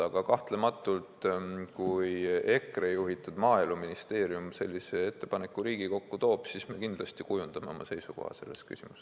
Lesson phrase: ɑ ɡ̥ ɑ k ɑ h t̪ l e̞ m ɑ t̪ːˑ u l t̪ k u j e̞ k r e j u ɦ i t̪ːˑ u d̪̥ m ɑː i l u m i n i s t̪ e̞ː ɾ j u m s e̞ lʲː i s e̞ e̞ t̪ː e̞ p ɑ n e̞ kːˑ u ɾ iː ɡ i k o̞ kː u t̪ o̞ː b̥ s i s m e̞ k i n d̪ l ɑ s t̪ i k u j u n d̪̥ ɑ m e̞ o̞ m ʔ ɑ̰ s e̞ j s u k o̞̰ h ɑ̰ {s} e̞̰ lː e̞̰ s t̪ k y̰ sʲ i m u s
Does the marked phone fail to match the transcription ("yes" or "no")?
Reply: no